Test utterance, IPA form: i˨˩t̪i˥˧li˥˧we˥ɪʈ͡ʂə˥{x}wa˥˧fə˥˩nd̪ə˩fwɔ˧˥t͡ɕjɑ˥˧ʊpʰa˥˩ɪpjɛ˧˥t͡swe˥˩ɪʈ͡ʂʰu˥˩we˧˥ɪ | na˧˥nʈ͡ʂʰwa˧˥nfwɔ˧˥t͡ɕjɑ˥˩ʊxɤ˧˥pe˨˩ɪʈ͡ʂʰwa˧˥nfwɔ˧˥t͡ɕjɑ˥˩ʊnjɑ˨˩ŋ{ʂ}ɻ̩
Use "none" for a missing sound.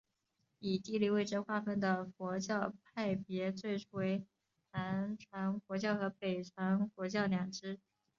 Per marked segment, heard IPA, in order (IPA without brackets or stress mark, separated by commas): x, ʈ͡ʂ